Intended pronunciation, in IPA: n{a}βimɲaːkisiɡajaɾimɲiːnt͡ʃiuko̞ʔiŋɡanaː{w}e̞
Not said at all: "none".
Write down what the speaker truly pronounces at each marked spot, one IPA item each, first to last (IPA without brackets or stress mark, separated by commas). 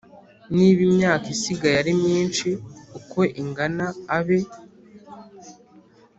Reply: i, β